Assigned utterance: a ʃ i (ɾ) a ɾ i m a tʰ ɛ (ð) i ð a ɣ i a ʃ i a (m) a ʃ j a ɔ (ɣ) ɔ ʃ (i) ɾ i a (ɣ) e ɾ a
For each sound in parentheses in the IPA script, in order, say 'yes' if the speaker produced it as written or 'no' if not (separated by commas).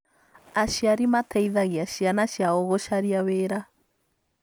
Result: no, no, no, yes, no, no